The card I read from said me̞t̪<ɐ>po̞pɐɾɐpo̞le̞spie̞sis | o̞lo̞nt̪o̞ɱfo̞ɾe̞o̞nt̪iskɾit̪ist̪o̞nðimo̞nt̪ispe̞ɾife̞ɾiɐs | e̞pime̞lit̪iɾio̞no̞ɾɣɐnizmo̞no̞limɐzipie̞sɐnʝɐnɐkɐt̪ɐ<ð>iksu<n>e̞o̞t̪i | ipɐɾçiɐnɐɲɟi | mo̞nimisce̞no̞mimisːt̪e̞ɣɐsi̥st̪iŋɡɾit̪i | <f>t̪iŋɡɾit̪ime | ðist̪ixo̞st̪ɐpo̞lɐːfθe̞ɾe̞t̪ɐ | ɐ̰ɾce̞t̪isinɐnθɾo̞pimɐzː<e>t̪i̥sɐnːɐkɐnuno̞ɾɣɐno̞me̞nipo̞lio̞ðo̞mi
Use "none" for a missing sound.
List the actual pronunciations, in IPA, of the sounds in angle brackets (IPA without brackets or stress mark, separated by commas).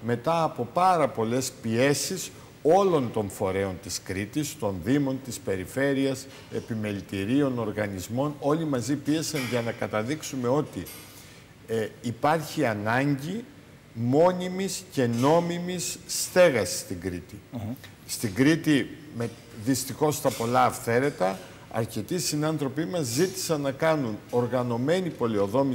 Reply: ɐː, ð, m, s, i